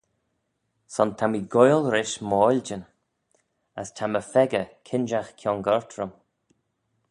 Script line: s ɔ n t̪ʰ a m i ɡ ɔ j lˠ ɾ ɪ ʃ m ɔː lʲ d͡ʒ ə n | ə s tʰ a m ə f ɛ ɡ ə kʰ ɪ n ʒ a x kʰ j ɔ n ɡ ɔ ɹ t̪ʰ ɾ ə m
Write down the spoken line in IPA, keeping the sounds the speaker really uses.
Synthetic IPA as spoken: s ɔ n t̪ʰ a m i ɡ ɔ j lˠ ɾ ɪ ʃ m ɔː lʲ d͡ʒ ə n | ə s tʰ a m ə f ɛ ɡ ə kʰ ɪ n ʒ a x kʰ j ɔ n ɡ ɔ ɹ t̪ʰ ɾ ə m